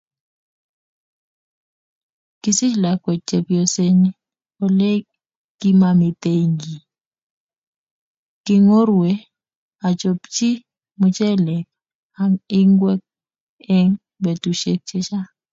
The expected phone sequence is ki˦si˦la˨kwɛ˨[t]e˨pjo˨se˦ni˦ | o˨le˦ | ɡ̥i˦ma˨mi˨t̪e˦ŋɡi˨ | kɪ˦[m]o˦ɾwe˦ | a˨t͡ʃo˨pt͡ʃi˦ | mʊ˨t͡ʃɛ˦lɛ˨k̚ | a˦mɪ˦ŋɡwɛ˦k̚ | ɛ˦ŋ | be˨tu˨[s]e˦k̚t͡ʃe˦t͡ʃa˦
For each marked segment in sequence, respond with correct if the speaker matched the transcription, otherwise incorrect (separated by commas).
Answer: incorrect, incorrect, incorrect